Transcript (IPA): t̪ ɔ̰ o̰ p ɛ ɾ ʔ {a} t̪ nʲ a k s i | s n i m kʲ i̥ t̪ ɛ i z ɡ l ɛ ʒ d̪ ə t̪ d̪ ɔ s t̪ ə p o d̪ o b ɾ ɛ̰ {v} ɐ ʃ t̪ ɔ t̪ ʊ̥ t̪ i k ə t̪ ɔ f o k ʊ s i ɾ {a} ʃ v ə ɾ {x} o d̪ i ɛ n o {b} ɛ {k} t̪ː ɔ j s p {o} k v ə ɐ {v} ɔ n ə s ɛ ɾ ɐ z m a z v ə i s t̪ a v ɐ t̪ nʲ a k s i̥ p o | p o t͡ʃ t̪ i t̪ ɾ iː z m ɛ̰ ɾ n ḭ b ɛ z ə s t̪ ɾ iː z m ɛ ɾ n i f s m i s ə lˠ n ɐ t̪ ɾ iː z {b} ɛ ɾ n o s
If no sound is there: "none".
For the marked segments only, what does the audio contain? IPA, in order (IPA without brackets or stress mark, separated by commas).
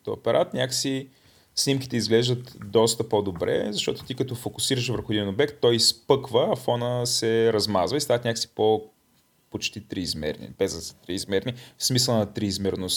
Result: a, z, ə, x, b, k, ɤ, f, m